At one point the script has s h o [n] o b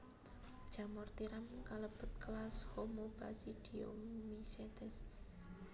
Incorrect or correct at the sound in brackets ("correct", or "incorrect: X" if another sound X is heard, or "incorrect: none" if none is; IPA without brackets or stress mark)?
incorrect: m